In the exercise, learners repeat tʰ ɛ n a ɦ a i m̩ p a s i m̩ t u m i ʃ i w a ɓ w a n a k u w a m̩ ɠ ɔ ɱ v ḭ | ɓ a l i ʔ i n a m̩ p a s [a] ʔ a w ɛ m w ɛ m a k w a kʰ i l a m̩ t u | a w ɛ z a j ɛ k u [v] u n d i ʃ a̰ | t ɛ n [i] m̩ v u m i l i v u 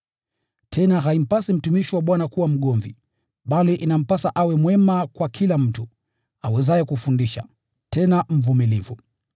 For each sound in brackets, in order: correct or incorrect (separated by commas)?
correct, incorrect, incorrect